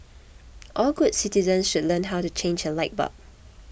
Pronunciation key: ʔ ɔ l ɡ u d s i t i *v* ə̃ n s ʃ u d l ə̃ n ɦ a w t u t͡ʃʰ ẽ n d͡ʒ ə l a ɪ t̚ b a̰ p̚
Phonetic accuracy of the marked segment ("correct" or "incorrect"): incorrect